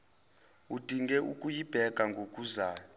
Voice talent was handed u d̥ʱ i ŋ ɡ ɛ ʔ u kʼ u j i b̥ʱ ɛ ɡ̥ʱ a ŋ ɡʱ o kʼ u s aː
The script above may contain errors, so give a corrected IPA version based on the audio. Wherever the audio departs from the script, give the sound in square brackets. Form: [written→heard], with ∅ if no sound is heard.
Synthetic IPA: u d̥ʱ i ŋ ɡ ɛ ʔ u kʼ u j i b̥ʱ ɛ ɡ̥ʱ a ŋ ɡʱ o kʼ u [s→z] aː